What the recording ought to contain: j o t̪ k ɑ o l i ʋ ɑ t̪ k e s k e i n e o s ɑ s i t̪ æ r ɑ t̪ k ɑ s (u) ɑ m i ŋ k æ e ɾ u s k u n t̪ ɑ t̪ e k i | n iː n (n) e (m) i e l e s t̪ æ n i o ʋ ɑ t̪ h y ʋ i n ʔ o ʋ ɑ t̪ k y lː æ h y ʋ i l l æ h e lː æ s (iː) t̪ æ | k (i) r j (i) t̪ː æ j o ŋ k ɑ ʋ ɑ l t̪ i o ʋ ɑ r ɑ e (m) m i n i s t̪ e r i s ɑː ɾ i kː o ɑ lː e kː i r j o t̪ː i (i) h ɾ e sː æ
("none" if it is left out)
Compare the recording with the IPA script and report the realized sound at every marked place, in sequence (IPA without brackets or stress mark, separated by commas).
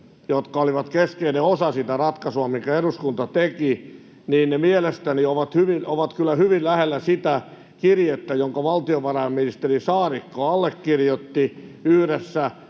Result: u, n, m, i, i, e, m, y